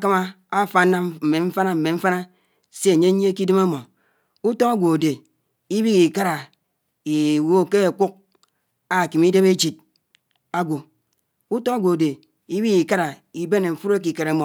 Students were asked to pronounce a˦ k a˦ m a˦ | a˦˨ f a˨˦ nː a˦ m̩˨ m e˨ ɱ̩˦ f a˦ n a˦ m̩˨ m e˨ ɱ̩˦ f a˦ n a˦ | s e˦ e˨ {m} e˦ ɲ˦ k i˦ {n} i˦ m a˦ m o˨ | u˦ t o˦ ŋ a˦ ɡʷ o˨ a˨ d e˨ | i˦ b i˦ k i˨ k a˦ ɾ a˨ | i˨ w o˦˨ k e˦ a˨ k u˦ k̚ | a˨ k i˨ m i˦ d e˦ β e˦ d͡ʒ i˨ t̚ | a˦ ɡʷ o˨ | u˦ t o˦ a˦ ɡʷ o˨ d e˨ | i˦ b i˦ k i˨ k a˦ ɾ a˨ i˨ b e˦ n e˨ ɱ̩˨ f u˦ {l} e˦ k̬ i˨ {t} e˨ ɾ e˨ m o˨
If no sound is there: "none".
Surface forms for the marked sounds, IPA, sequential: ɲ, d, ɾ, k

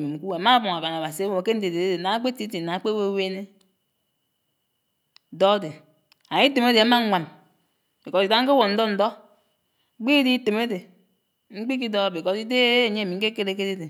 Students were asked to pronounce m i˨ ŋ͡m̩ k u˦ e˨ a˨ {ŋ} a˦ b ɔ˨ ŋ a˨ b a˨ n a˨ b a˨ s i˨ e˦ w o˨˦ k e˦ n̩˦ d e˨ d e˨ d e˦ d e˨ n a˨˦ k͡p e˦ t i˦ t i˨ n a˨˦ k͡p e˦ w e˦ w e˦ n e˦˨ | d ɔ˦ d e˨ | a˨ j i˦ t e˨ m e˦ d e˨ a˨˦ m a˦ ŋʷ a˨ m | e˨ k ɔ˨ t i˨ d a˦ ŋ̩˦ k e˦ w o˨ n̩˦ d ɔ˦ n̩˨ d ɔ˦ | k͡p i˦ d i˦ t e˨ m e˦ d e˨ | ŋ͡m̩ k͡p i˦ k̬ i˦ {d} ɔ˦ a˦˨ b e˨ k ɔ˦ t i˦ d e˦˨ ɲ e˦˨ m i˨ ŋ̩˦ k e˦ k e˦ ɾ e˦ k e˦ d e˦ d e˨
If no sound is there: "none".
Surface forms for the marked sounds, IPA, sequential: m, d

